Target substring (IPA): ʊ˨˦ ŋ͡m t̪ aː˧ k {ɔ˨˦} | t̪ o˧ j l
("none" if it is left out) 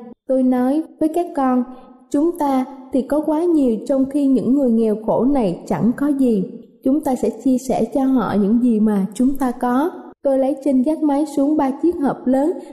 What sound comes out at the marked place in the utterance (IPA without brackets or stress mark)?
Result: ɔ˨˦